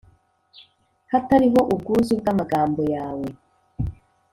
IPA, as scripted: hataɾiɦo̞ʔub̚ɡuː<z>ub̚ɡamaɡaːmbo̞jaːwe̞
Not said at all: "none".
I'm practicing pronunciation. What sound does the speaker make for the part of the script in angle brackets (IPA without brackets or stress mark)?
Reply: z